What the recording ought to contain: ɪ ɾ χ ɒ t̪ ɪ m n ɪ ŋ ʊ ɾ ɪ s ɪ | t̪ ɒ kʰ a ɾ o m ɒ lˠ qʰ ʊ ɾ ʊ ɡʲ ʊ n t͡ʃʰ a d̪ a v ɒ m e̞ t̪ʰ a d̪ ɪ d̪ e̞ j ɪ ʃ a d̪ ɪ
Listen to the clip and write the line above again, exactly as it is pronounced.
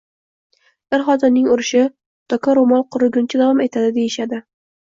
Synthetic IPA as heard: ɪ ɾ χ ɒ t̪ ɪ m n ɪ ŋ ʊ ɾ ɪ ʃ ɪ | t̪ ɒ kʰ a ɾ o m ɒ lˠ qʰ ʊ ɾ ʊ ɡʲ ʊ n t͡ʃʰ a d̪ a v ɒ m e̞ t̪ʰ a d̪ ɪ d̪ e̞ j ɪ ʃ a d̪ ɪ